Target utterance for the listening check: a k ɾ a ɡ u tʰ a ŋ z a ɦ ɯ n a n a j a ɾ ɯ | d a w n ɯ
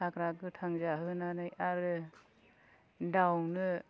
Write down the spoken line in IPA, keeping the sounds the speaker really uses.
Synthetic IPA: a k ɾ a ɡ ɯ tʰ a ŋ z a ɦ ɯ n a n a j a ɾ ɯ | d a w n ɯ